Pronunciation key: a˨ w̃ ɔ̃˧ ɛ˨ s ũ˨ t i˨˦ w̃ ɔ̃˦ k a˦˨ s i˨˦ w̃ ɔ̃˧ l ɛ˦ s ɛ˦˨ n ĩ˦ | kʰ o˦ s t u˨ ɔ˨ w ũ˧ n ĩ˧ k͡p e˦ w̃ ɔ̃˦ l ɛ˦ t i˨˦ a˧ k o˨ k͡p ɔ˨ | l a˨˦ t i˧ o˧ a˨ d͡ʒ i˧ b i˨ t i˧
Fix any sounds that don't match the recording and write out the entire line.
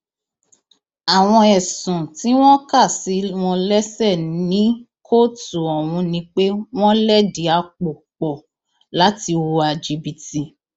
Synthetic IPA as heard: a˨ w̃ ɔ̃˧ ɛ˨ s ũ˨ t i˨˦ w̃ ɔ̃˦ k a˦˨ s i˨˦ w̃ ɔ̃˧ l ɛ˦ s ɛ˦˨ n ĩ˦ | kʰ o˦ t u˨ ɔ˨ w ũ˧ n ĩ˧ k͡p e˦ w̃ ɔ̃˦ l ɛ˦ d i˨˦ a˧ k͡p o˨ k͡p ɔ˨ | l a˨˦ t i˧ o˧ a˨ d͡ʒ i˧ b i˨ t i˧